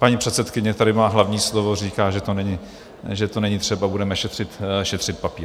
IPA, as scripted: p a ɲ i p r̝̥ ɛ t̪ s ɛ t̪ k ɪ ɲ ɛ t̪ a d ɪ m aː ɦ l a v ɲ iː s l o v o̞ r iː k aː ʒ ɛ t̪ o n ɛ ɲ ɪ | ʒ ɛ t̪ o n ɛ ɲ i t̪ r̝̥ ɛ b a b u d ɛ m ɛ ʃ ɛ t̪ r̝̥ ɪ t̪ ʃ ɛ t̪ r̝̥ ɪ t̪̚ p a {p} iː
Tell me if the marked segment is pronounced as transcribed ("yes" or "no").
yes